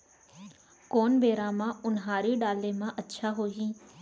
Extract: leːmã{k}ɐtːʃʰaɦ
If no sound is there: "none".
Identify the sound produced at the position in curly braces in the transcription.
ʔ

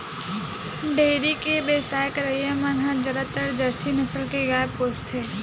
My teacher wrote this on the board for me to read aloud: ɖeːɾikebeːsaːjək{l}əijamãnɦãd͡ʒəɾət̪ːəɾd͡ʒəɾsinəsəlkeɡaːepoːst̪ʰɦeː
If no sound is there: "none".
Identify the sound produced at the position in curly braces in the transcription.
ɾ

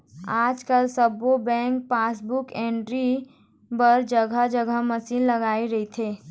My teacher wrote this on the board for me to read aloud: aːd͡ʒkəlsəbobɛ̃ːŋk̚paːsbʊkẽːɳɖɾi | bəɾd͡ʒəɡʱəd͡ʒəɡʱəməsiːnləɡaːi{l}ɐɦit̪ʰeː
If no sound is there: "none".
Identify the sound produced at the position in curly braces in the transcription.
ɾ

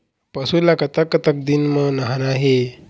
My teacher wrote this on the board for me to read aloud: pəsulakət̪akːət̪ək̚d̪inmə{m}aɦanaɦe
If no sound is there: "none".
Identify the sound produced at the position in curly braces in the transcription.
n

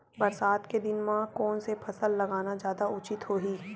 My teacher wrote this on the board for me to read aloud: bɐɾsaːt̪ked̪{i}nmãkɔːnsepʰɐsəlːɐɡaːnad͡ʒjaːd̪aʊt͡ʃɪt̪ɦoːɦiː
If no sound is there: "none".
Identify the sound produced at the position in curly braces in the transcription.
ɪ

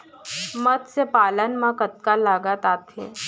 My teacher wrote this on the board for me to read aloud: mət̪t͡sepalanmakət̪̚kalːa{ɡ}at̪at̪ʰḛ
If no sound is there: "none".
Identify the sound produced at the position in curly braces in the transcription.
ɡ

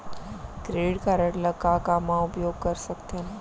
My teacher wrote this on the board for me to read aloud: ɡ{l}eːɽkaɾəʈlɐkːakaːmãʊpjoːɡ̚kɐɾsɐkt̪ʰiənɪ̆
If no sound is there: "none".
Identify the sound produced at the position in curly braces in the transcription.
ɾ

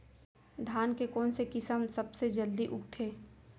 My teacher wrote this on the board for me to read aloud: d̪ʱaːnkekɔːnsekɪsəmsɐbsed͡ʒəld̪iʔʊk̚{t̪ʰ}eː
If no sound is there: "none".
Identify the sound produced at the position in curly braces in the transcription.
t̪ʰ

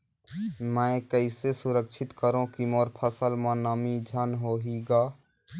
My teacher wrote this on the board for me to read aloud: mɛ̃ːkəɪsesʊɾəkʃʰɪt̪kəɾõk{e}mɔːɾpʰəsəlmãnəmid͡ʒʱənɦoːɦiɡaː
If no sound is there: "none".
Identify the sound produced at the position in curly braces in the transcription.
i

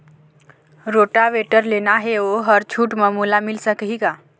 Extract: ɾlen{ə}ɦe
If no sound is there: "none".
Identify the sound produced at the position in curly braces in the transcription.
a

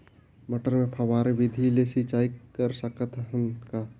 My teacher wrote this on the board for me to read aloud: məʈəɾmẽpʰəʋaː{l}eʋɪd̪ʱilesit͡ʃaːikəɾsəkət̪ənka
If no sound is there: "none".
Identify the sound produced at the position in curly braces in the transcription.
ɾ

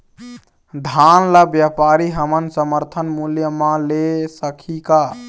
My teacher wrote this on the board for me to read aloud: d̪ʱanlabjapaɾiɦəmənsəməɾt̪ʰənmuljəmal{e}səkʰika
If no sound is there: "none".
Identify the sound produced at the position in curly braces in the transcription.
e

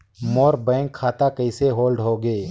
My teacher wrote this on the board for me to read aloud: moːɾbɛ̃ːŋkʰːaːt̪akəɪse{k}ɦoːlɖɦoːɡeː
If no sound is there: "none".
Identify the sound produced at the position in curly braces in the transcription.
none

